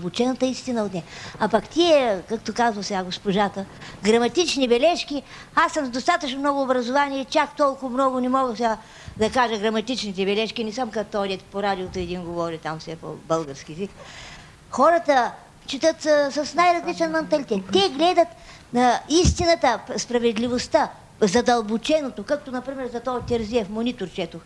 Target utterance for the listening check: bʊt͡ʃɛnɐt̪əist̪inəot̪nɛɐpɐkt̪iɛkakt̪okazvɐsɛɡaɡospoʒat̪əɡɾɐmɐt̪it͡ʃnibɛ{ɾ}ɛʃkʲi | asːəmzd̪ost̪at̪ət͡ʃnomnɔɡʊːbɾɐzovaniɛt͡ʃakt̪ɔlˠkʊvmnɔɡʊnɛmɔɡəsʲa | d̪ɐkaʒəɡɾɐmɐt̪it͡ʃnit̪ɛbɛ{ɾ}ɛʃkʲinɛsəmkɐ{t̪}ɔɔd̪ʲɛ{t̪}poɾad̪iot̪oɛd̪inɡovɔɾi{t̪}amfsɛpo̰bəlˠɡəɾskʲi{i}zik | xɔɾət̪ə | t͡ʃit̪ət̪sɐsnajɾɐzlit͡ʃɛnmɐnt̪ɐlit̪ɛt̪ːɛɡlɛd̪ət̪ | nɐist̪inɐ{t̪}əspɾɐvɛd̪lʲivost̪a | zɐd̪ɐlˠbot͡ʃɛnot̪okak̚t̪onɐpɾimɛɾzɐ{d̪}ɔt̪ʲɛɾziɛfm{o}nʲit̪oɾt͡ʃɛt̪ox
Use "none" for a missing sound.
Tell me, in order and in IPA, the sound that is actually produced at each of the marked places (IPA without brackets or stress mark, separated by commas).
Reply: l, l, t̪, t̪, t̪, ɛ, t̪, t̪, o